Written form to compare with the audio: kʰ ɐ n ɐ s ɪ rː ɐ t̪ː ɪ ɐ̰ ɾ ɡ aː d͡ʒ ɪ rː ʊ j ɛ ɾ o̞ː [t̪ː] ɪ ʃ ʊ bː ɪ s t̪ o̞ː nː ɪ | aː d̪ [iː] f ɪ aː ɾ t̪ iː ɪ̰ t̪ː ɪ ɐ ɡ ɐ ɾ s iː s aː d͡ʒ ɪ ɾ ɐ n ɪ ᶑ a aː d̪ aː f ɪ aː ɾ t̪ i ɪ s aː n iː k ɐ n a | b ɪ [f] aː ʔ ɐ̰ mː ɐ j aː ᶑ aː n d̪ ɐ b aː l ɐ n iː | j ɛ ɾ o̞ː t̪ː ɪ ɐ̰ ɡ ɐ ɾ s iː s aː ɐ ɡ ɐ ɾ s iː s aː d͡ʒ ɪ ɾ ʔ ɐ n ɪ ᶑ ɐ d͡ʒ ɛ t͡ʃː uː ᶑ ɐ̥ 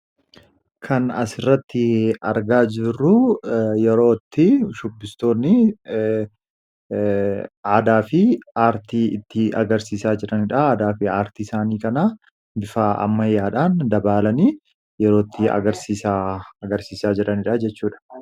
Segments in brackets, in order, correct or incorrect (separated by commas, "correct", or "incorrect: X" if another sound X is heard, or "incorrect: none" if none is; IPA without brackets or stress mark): correct, incorrect: aː, correct